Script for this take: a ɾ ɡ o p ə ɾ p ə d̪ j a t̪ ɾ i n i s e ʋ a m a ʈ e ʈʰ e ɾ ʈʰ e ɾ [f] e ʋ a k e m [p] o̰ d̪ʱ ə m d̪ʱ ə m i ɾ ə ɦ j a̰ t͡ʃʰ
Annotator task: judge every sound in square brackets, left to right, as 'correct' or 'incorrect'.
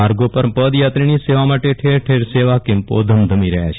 incorrect: s, correct

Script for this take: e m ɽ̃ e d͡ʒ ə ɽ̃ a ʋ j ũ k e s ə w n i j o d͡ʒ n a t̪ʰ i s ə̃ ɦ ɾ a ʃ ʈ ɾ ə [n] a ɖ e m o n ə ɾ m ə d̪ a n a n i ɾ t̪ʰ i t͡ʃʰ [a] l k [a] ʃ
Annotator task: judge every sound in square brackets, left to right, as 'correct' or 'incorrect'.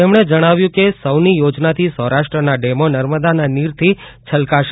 correct, incorrect: ə, correct

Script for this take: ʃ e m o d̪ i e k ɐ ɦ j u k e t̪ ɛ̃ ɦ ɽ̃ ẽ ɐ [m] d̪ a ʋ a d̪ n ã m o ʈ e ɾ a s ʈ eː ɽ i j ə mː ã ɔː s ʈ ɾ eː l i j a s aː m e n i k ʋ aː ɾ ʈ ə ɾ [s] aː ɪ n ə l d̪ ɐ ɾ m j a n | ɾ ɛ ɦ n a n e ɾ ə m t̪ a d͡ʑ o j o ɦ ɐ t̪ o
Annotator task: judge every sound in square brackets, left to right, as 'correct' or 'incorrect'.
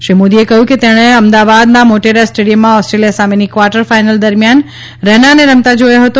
correct, incorrect: f

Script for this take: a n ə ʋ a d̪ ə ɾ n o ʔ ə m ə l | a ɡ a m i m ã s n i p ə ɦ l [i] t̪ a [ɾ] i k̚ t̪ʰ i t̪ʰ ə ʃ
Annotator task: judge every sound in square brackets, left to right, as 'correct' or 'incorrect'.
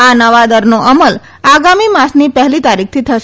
correct, correct

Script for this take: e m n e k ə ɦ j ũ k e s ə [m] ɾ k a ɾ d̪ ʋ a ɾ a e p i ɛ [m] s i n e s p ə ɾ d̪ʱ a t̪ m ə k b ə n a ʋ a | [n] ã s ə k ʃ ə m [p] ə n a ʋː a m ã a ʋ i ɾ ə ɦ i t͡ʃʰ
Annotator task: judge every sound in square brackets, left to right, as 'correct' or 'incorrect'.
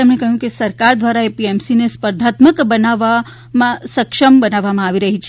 incorrect: none, correct, incorrect: m, incorrect: b

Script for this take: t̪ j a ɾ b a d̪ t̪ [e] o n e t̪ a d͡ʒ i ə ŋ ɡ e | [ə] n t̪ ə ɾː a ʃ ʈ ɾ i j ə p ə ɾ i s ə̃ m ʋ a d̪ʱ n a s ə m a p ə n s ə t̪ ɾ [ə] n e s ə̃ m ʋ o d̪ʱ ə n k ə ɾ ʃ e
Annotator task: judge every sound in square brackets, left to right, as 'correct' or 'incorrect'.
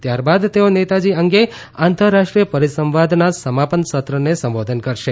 correct, incorrect: a, correct

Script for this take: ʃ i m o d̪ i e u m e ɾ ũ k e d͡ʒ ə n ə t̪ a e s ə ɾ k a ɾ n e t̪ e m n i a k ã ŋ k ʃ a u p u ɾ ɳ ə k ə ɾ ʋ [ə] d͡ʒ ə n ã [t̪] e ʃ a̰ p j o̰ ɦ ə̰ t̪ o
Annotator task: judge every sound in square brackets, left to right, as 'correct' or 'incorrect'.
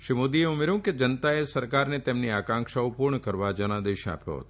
incorrect: a, incorrect: d̪

